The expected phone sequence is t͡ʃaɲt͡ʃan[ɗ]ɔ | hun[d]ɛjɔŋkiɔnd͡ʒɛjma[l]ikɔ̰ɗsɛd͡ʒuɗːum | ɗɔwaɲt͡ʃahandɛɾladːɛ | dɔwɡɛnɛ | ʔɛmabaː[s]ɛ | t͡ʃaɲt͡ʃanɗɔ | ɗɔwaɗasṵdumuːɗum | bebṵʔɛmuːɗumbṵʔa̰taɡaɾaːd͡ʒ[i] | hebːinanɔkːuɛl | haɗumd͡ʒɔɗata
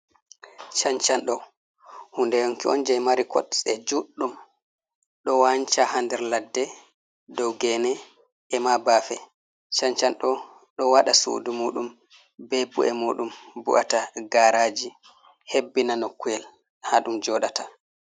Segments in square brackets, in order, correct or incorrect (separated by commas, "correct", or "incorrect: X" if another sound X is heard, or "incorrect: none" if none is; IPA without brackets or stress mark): correct, correct, incorrect: ɾ, incorrect: f, correct